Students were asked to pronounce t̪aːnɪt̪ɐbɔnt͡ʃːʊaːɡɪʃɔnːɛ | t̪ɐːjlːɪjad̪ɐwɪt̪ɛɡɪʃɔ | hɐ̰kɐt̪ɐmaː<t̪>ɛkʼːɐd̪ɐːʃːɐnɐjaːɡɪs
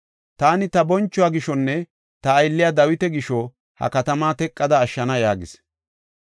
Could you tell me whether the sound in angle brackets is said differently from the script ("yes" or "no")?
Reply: no